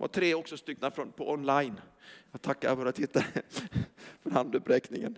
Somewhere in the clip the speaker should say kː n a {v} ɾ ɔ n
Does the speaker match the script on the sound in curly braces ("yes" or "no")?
no